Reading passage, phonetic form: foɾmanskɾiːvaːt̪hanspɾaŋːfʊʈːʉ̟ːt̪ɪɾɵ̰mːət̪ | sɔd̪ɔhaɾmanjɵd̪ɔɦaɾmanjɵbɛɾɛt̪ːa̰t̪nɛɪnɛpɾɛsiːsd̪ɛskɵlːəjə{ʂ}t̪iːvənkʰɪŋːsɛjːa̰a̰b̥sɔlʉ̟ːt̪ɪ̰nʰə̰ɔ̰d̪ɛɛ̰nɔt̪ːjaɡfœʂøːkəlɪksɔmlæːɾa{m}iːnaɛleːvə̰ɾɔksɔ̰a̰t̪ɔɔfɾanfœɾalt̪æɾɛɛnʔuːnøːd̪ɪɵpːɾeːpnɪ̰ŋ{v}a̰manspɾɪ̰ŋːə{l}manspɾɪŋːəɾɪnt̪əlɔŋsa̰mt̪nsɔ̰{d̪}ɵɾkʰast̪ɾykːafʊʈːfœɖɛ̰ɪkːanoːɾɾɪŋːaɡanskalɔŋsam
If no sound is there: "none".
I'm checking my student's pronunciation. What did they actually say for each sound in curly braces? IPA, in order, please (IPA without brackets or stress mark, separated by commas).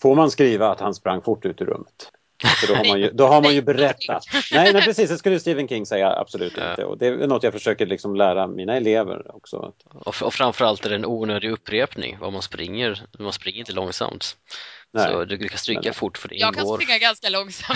s, m, v, ɾ, d̪